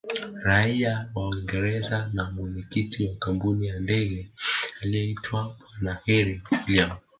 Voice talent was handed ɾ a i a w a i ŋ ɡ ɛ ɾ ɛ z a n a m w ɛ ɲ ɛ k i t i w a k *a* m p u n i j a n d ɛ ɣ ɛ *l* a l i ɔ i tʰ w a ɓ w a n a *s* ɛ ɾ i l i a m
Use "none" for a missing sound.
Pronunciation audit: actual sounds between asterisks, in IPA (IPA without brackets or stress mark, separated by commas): a, none, h